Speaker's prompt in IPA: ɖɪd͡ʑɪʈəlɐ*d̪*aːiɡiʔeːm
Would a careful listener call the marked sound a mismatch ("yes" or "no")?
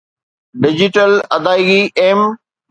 no